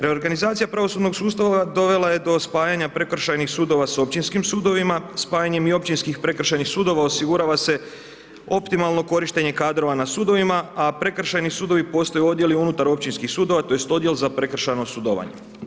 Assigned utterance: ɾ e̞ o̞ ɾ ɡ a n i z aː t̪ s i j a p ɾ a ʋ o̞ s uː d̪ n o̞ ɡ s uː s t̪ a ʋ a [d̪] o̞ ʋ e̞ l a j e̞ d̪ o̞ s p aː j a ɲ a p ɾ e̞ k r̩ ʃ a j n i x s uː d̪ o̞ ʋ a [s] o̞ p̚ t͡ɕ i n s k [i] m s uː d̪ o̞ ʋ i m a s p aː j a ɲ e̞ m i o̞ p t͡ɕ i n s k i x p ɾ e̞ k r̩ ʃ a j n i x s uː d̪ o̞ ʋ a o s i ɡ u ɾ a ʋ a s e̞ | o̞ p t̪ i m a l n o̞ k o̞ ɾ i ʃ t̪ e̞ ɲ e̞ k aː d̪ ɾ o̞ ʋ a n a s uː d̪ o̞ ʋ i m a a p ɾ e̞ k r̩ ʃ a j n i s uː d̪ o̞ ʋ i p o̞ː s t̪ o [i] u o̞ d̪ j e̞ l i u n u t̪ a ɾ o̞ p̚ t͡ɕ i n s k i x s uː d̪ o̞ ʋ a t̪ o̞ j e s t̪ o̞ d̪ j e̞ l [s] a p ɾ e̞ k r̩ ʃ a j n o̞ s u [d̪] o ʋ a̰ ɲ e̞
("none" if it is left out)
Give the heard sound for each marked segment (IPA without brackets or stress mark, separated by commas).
d̪, s, i, j, z, d̪